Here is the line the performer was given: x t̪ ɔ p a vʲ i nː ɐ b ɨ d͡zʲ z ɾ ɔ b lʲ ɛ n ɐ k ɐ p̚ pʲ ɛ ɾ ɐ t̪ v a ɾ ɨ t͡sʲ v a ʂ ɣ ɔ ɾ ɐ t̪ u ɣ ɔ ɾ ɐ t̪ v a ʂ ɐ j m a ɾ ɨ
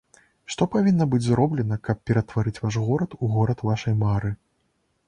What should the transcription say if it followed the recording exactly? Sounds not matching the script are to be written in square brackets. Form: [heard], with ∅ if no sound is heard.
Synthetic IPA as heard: [ʂ] t̪ ɔ p a vʲ i nː ɐ b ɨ d͡zʲ z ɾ ɔ b lʲ ɛ n ɐ k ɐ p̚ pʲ ɛ ɾ ɐ t̪ v a ɾ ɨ t͡sʲ v a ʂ ɣ ɔ ɾ ɐ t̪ u ɣ ɔ ɾ ɐ t̪ v a ʂ ɐ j m a ɾ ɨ